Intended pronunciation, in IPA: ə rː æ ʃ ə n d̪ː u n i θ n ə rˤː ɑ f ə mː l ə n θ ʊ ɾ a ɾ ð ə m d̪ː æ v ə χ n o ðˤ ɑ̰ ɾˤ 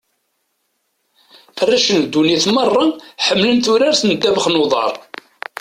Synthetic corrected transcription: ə rː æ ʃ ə n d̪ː u n i θ m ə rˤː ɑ ħ ə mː l ə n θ ʊ ɾ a ɾ θ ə n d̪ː æ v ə χ n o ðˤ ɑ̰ ɾˤ